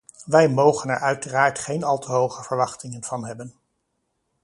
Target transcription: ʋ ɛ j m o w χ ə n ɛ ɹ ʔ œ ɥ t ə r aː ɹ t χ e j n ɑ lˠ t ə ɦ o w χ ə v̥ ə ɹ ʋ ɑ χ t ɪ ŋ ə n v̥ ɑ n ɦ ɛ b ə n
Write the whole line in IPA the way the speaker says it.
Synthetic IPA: ʋ ɛ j m o w χ ə n ɛ ɹ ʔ œ ɥ t ə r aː ɹ t χ e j n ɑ lˠ t ə ɦ o w χ ə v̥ ə ɹ ʋ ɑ χ t ɪ ŋ ə n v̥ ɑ n ɦ ɛ b ə n